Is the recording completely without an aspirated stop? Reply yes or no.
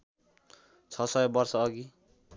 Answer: no